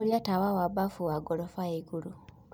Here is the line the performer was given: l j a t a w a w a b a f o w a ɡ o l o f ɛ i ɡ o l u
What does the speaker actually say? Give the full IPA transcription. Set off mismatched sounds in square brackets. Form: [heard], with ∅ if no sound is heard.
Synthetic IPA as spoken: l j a t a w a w a b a f [u] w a ɡ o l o f [a] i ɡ [u] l u